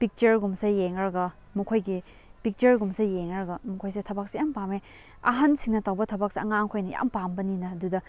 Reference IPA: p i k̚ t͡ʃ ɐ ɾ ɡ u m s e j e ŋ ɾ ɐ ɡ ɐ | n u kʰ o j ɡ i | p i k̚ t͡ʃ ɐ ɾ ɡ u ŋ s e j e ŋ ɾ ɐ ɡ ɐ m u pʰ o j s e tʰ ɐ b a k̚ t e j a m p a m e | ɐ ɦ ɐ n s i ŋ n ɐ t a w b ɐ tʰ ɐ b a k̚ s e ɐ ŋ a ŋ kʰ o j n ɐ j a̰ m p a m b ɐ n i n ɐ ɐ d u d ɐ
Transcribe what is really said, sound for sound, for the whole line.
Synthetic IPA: p i k̚ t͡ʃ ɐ ɾ ɡ u m s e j e ŋ ɾ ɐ ɡ ɐ | m u kʰ o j ɡ i | p i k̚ t͡ʃ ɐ ɾ ɡ u m s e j e ŋ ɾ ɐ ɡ ɐ m u kʰ o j s e tʰ ɐ b a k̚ s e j a m p a m e | ɐ ɦ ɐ n s i ŋ n ɐ t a w b ɐ tʰ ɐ b a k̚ s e ɐ ŋ a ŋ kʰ o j n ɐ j a̰ m p a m b ɐ n i n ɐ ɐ d u d ɐ